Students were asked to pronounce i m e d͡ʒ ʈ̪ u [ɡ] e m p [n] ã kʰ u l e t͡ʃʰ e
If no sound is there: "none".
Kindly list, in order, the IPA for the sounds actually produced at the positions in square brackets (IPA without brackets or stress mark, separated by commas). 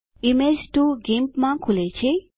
ɡ, m